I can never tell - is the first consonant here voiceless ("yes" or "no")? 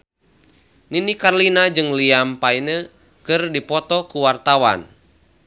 no